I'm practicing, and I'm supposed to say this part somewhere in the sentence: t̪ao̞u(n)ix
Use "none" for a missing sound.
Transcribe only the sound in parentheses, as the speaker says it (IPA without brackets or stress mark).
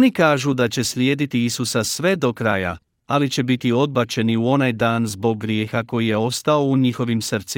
ɲ